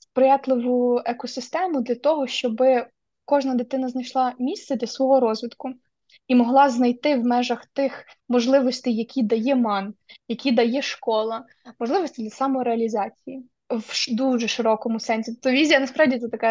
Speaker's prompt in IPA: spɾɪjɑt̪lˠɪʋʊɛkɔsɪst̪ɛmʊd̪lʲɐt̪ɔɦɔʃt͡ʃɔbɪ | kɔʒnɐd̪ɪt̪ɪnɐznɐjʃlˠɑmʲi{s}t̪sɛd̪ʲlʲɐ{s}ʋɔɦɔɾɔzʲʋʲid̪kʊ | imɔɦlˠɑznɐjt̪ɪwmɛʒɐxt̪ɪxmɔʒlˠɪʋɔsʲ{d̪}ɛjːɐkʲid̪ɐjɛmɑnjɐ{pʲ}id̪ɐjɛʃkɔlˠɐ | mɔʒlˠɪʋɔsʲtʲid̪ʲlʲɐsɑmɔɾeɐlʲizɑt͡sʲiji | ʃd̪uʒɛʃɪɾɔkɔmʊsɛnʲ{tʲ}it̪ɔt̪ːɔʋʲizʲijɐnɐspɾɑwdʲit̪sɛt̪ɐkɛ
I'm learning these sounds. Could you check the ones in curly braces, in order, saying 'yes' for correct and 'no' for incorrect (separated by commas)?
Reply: yes, yes, no, no, no